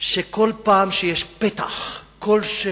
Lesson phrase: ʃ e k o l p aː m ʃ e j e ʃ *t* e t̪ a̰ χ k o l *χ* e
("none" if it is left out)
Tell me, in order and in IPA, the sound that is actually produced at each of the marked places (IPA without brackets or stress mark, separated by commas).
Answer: p, ʃ